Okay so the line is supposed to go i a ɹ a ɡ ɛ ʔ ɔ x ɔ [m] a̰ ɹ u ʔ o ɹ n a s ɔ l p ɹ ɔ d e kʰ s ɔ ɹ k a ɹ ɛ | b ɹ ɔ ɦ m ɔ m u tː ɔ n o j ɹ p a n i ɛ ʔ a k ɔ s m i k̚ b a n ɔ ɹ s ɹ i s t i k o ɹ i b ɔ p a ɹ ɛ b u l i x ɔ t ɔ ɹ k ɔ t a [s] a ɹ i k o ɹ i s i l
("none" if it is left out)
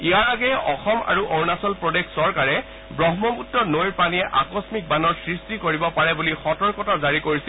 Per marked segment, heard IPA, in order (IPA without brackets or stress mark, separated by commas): m, z